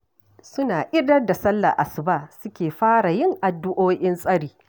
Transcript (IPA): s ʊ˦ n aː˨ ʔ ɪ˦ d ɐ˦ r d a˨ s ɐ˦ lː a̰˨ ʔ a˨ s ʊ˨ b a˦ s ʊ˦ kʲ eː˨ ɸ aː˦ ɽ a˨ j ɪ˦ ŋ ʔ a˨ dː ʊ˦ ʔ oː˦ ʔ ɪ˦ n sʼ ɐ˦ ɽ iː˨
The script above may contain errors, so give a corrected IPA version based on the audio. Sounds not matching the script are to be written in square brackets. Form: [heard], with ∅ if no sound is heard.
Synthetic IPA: s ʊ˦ n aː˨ ʔ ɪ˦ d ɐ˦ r d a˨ s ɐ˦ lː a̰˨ ʔ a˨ s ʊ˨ b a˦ s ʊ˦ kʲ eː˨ ɸ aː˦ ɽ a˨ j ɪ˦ ŋ ʔ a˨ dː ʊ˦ ʔ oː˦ ʔ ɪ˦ n sʼ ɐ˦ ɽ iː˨